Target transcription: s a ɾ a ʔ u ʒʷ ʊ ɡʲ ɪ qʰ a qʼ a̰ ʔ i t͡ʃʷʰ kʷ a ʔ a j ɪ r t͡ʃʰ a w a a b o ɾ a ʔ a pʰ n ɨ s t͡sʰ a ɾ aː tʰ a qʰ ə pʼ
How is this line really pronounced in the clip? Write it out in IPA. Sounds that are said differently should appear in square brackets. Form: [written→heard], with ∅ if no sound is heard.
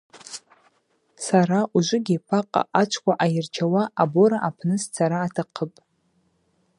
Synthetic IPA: s a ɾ a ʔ u ʒʷ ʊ ɡʲ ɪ [qʰ→pʰ] a qʼ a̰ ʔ [i→a] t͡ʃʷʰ kʷ a ʔ a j ɪ r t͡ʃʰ a w a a b o ɾ a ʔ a pʰ n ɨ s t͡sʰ a ɾ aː tʰ a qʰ ə pʼ